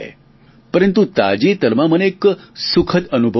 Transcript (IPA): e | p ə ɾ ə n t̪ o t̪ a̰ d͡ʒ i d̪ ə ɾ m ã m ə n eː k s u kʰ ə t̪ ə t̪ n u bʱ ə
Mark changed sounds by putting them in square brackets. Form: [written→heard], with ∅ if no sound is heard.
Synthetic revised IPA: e | p ə ɾ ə n t̪ [o→u] t̪ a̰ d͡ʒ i [d̪→t̪] ə ɾ m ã m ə n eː k s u kʰ ə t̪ ə [t̪→∅] n u bʱ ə